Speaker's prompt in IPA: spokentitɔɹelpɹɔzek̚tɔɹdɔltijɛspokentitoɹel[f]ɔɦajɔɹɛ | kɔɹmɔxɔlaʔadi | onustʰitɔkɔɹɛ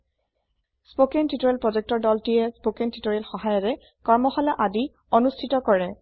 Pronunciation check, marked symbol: incorrect: x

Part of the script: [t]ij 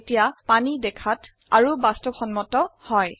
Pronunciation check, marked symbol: correct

